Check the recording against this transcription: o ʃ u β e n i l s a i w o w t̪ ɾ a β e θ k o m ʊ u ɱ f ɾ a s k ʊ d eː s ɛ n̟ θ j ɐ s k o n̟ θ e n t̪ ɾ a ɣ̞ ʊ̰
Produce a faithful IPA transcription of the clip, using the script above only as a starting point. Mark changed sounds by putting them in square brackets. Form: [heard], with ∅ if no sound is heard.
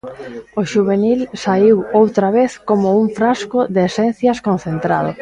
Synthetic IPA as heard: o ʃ u β e n i l s a i w o w t̪ ɾ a β e θ k o m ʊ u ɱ f ɾ a s k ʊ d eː s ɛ n̟ θ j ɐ s k o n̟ θ e n t̪ ɾ a [ð̞] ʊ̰